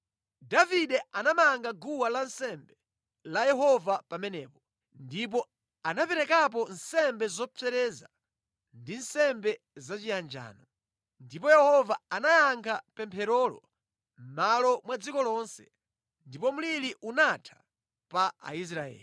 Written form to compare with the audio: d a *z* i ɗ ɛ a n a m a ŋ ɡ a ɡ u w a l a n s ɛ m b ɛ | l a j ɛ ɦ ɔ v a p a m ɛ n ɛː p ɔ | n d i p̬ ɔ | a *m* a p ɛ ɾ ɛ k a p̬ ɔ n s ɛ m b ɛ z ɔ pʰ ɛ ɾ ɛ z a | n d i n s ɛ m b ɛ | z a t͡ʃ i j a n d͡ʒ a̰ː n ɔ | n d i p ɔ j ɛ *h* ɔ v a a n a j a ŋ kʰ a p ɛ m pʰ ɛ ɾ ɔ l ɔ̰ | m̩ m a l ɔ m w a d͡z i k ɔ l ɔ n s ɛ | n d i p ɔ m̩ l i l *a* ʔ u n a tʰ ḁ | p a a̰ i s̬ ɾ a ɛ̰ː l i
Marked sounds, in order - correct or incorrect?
incorrect: v, incorrect: n, correct, incorrect: i

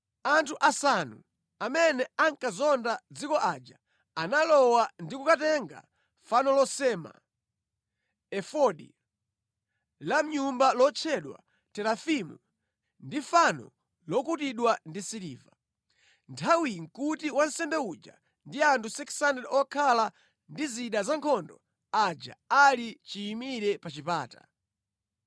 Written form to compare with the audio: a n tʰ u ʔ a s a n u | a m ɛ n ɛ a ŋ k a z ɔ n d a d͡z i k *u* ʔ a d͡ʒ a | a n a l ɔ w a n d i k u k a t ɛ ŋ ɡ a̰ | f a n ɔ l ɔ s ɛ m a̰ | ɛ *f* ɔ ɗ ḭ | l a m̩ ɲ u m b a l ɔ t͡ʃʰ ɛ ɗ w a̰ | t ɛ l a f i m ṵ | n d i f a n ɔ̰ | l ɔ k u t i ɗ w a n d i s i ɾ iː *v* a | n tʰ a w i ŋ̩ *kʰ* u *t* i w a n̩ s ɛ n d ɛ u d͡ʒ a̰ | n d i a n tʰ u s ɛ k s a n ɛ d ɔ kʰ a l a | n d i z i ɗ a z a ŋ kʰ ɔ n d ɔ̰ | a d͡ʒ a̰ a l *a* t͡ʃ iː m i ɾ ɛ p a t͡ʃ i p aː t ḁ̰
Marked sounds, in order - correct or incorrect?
incorrect: ɔ, correct, correct, incorrect: k, correct, incorrect: i

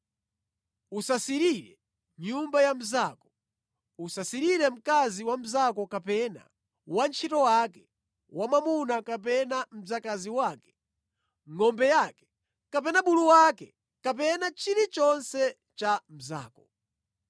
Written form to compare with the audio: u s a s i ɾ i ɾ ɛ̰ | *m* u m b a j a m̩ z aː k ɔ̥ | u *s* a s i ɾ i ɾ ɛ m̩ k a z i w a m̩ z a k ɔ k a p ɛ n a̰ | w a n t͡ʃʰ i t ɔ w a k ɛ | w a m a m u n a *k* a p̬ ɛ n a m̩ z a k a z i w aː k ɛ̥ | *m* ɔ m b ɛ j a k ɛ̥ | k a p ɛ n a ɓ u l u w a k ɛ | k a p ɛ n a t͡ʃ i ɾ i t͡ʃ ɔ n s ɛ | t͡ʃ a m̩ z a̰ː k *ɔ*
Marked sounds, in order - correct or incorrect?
incorrect: ɲ, correct, correct, incorrect: ŋ, correct

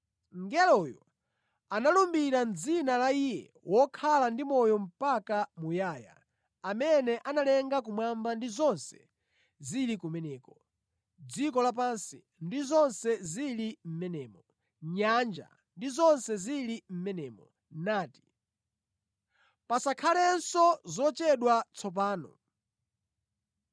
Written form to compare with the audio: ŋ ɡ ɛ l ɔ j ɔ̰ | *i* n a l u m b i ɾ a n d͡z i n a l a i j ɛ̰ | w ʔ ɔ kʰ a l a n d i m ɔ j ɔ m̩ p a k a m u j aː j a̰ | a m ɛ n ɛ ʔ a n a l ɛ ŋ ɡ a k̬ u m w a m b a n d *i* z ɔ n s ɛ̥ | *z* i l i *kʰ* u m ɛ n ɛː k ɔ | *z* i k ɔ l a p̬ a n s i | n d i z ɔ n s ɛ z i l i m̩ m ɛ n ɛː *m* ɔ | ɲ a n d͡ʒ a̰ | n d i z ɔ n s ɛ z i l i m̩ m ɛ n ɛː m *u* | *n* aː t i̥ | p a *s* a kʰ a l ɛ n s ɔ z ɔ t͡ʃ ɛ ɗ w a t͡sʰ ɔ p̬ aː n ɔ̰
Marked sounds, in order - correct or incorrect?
incorrect: a, correct, correct, incorrect: k, incorrect: d͡z, correct, incorrect: ɔ, correct, correct

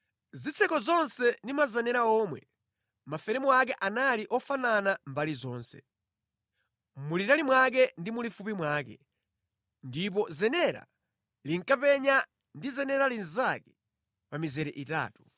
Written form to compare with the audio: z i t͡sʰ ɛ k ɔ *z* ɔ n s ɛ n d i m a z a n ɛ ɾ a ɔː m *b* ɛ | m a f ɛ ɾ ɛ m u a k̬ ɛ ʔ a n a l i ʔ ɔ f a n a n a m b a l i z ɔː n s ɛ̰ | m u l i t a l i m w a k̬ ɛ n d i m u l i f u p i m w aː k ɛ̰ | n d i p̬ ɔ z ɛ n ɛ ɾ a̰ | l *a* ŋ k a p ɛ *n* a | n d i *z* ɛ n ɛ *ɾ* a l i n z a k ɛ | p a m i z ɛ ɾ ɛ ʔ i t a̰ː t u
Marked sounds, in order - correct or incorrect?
correct, incorrect: w, incorrect: i, incorrect: ɲ, correct, correct

